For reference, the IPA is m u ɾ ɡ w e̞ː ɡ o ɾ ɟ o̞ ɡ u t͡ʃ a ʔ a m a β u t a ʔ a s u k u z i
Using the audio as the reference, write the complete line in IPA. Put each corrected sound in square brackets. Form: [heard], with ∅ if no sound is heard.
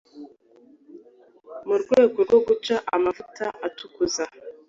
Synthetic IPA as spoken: m u ɾ ɡ w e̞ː ɡ o ɾ [ɡ] o̞ ɡ u t͡ʃ a ʔ a m a [v] u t a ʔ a [t] u k u z [a]